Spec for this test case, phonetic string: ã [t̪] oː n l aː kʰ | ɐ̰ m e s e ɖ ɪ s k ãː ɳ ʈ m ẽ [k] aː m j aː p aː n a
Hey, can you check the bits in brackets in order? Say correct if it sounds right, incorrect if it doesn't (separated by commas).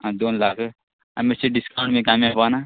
incorrect, correct